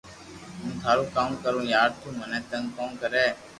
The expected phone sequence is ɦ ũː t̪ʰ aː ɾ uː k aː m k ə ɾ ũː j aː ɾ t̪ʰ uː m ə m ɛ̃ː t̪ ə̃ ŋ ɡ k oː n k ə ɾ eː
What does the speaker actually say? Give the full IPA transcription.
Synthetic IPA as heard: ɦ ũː t̪ʰ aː ɾ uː k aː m k ə ɾ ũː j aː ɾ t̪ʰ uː m ə n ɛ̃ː t̪ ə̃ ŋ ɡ k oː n k ə ɾ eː